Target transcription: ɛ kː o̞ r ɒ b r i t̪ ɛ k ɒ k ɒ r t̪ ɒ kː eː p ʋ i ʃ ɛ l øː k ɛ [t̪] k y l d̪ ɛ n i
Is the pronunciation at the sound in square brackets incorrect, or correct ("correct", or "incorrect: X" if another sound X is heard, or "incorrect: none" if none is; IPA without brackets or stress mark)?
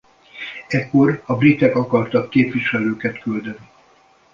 correct